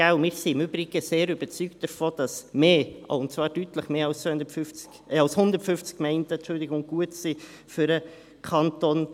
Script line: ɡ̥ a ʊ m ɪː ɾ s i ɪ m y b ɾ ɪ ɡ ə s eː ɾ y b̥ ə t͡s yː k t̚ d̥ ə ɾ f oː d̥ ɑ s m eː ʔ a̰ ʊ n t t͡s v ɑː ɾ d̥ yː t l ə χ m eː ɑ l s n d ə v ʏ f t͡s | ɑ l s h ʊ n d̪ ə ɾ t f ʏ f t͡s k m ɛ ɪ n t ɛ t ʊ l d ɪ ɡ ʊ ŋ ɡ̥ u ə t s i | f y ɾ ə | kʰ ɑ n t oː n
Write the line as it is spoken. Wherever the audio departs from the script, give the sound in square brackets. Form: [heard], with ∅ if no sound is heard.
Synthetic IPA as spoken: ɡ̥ a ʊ m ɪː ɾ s i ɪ m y b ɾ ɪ ɡ ə s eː ɾ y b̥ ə t͡s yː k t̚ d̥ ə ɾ f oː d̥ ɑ s m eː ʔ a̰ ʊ n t t͡s v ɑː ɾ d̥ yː t l ə χ m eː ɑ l s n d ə [f] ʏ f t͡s | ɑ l s h ʊ n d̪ ə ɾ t f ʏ f t͡s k m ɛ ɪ n t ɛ [t͡ʃ] ʊ l d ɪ ɡ ʊ ŋ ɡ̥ u ə t s i | f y ɾ ə | kʰ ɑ n t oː n